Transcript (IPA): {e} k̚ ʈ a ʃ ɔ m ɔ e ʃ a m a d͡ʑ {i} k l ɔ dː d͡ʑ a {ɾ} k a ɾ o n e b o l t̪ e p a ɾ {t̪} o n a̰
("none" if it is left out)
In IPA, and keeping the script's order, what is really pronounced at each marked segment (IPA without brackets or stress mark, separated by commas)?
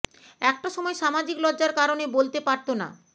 ɛ, i, ɾ, t̪